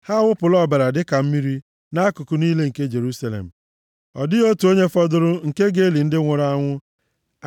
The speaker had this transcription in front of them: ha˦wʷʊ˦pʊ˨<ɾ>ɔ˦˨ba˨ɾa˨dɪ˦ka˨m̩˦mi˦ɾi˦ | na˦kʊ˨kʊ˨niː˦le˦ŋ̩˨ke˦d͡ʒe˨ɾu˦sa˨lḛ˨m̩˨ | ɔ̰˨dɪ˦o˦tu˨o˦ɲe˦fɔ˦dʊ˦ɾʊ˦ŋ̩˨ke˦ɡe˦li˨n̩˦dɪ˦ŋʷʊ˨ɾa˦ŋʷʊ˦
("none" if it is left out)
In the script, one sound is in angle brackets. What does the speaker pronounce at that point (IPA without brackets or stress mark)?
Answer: l